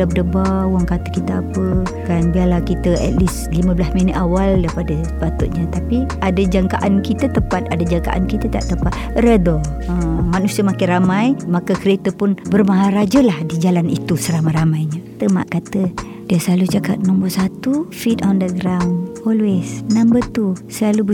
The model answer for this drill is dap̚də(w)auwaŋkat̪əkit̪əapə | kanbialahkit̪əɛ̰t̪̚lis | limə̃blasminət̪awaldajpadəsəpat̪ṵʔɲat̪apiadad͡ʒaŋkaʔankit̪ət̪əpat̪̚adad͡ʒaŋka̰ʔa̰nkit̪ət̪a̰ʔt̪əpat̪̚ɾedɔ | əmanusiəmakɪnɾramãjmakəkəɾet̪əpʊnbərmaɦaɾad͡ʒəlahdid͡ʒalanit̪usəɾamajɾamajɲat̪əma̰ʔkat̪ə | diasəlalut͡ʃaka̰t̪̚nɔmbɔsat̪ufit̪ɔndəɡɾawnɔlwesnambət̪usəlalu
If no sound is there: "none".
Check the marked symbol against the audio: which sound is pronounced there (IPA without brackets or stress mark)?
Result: b